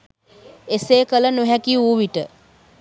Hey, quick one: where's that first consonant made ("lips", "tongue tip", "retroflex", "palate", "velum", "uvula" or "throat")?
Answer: tongue tip